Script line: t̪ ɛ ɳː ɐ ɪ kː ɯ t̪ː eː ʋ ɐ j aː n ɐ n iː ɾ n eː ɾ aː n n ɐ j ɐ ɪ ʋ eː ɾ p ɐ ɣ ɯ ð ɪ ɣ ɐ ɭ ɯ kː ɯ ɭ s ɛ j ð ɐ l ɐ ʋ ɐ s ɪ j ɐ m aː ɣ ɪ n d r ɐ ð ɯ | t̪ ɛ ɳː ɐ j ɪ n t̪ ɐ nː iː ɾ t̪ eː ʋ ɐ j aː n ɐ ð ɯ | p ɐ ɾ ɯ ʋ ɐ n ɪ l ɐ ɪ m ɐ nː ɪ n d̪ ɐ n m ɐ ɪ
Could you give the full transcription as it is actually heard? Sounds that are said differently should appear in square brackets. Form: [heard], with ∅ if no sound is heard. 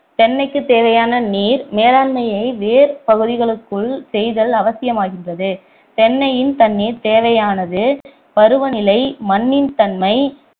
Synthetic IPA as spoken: t̪ ɛ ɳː ɐ ɪ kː ɯ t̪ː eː ʋ ɐ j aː n ɐ n iː ɾ [m] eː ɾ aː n [m] ɐ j ɐ ɪ ʋ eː ɾ p ɐ ɣ ɯ ð ɪ ɣ ɐ ɭ ɯ kː ɯ ɭ s ɛ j ð ɐ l ɐ ʋ ɐ s ɪ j ɐ m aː ɣ ɪ n d r ɐ ð ɯ | t̪ ɛ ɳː ɐ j ɪ n t̪ ɐ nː iː ɾ t̪ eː ʋ ɐ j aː n ɐ ð ɯ | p ɐ ɾ ɯ ʋ ɐ n ɪ l ɐ ɪ m ɐ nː ɪ n [t̪] ɐ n m ɐ ɪ